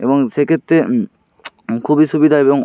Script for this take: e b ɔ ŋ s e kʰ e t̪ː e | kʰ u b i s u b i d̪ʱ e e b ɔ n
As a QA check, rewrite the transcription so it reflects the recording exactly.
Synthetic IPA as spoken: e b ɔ ŋ s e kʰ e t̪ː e | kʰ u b i s u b i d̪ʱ a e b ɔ ŋ

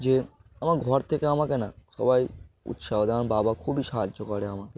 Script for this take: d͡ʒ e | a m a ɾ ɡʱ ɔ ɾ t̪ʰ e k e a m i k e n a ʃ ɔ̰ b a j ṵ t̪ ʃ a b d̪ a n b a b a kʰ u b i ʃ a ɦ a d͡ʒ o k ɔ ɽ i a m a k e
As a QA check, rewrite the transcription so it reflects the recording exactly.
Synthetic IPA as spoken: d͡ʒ e | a m a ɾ ɡʱ ɔ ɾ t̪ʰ e k e a m a k e n a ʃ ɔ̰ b a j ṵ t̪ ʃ a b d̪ a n b a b a kʰ u b i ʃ a ɦ a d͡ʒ o k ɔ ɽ e a m a k e

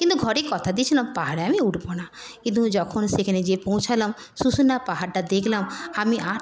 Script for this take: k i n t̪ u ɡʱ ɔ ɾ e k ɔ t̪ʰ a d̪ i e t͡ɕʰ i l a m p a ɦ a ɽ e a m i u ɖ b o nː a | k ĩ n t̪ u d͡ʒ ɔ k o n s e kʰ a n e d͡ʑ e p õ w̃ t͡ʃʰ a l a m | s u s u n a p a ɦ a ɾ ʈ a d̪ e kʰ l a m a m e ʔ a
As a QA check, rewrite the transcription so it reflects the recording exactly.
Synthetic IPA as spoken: k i n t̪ u ɡʱ ɔ ɾ e k ɔ t̪ʰ a d̪ i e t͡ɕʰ i l a m p a ɦ a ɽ e a m i u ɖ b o n a | k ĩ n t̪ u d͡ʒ ɔ kʰ o n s e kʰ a n e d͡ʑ e p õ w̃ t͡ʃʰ a l a m | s u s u n a p a ɦ a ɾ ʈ a d̪ e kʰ l a m a m i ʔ a

